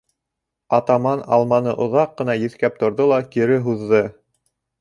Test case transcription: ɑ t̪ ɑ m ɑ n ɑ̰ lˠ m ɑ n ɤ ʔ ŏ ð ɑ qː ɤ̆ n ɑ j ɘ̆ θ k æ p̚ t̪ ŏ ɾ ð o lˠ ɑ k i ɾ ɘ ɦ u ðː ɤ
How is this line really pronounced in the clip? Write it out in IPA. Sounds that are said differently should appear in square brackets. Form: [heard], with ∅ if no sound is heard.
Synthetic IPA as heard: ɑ t̪ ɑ m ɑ n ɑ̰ lˠ m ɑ n ɤ ʔ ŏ ð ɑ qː ɤ̆ n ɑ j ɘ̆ θ k æ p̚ t̪ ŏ ɾ ð o lˠ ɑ k i ɾ ɘ ɦ u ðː ɤ

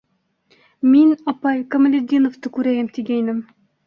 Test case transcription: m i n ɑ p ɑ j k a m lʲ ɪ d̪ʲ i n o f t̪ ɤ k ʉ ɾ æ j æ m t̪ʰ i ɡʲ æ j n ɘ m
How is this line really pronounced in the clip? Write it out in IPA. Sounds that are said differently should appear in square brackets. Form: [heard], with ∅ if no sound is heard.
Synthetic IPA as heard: m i n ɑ p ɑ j k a m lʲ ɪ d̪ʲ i n o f t̪ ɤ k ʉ ɾ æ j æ m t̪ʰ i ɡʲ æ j n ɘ m

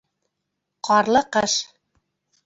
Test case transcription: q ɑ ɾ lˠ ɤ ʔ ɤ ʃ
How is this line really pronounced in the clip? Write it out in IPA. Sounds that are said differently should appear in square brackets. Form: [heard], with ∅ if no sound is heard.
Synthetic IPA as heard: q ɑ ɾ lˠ ɤ [q] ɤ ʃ

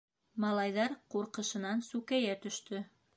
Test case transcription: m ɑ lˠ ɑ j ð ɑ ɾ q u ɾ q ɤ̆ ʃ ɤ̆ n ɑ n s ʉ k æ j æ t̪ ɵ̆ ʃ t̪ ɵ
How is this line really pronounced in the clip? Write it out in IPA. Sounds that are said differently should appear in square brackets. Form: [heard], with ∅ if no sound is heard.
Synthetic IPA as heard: m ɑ lˠ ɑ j ð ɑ ɾ q u ɾ q ɤ̆ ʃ ɤ̆ n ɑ n s ʉ k æ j æ t̪ ɵ̆ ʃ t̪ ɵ

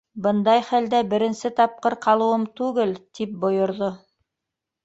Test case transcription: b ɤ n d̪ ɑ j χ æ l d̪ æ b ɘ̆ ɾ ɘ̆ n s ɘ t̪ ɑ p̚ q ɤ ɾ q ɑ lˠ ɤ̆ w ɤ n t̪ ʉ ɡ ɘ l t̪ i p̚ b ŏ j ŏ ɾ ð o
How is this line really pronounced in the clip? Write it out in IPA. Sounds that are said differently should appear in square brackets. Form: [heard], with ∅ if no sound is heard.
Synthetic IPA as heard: b ɤ n d̪ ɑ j χ æ l d̪ æ b ɘ̆ ɾ ɘ̆ n s ɘ t̪ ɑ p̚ q ɤ ɾ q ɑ lˠ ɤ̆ w ɤ [m] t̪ ʉ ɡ ɘ l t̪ i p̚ b ŏ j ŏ ɾ ð o

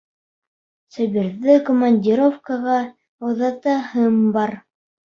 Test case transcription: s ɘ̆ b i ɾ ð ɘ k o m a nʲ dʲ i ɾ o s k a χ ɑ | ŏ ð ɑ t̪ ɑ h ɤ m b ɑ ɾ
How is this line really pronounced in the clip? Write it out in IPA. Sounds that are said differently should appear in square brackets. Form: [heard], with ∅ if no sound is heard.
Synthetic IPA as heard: s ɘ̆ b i ɾ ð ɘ k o m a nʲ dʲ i ɾ o [f] k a [ʁ] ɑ | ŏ ð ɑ t̪ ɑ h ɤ m b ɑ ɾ

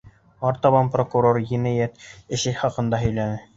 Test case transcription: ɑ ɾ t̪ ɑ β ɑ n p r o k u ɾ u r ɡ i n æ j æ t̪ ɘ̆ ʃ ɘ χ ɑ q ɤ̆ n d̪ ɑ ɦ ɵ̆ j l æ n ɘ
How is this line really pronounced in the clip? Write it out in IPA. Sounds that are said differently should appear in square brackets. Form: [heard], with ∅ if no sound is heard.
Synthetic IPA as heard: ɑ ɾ t̪ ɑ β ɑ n p r o k u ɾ [o] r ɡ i n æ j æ t̪ ɘ̆ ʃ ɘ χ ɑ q ɤ̆ n d̪ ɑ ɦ ɵ̆ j l æ n ɘ

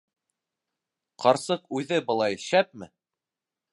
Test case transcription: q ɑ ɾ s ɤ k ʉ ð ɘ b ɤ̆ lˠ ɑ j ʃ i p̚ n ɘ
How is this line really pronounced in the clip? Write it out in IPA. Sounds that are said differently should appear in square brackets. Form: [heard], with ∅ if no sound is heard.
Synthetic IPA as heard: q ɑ ɾ s ɤ [q] ʉ ð ɘ b ɤ̆ lˠ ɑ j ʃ [æ] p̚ [m] ɘ

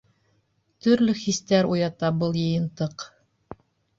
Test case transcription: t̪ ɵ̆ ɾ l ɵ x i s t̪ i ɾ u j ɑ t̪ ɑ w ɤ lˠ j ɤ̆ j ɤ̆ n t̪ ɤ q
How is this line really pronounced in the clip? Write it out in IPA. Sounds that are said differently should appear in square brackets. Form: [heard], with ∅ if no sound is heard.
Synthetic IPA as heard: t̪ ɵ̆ ɾ l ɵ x i s t̪ [æ] ɾ u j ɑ t̪ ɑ [b] ɤ lˠ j ɤ̆ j ɤ̆ n t̪ ɤ q

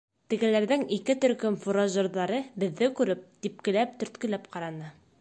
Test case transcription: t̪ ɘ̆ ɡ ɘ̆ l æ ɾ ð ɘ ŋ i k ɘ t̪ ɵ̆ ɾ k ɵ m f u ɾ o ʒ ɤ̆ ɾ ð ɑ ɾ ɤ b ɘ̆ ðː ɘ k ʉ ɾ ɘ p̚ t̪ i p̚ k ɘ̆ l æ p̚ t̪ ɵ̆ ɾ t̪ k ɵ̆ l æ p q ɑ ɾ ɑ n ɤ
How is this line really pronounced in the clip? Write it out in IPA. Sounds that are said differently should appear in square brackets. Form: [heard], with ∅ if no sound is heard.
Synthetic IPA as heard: t̪ ɘ̆ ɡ ɘ̆ l æ ɾ ð ɘ ŋ i k ɘ t̪ ɵ̆ ɾ k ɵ m f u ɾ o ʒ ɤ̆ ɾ ð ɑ ɾ ɤ b ɘ̆ ðː ɘ k ʉ ɾ ɘ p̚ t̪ i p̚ k ɘ̆ l æ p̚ t̪ ɵ̆ ɾ t̪ k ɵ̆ l æ p q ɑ ɾ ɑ n ɤ

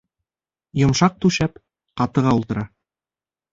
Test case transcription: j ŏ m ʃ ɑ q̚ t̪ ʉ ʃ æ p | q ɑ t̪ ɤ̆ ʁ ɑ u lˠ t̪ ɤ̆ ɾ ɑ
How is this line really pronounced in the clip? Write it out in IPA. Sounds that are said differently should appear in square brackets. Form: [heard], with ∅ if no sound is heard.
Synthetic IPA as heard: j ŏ m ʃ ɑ q̚ t̪ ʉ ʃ æ p | q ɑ t̪ ɤ̆ ʁ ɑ u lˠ t̪ ɤ̆ ɾ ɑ

